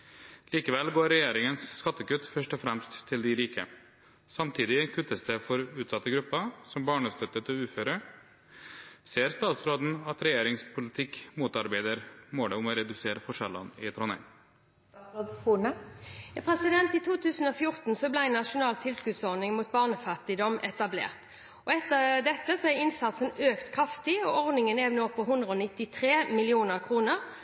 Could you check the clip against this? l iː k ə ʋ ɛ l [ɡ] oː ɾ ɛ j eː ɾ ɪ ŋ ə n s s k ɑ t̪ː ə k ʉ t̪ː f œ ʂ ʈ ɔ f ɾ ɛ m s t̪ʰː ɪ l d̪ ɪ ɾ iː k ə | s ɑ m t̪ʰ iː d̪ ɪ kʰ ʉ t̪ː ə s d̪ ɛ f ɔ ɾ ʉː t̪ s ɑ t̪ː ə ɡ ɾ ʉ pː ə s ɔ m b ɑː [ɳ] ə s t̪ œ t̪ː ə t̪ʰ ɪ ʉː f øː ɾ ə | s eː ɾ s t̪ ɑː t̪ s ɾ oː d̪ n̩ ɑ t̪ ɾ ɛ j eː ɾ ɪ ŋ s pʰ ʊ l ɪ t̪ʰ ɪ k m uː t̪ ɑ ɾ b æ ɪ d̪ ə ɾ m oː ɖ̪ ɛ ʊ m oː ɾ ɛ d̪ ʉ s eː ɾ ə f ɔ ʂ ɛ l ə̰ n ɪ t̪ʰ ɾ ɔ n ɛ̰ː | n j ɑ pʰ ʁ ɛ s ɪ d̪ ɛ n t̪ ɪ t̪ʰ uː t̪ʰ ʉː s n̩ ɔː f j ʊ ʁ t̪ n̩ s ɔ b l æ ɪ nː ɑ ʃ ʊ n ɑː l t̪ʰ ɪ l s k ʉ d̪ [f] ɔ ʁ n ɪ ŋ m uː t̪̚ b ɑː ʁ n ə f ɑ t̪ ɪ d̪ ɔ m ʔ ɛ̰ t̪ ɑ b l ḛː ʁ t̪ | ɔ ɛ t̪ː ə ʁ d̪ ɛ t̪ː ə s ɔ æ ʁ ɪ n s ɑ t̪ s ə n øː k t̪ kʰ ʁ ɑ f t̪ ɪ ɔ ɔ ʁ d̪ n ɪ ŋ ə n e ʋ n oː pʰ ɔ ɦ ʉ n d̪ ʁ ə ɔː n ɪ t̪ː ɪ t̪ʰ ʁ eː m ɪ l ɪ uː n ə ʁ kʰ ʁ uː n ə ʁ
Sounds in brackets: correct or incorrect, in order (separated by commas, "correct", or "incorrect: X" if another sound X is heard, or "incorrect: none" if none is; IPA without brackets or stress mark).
correct, correct, incorrect: s